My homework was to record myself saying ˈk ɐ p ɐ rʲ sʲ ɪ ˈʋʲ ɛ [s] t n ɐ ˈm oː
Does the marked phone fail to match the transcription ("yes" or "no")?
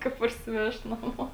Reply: yes